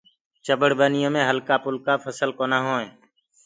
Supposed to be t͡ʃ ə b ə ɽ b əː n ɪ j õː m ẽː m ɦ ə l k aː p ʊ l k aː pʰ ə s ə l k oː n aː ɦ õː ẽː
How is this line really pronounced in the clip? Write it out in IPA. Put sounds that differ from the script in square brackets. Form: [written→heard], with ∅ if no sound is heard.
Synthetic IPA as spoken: t͡ʃ ə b ə ɽ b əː n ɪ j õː m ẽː [m→∅] ɦ ə l k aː p ʊ l k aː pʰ ə s ə l k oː n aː ɦ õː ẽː